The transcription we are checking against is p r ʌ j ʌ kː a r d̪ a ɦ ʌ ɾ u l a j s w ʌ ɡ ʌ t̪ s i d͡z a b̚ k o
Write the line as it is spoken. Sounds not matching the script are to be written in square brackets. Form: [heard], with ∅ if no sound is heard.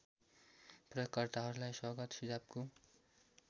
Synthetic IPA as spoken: p r ʌ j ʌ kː [ʌ] r [t̪] a ɦ ʌ ɾ u l a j s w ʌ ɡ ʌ t̪ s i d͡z a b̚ k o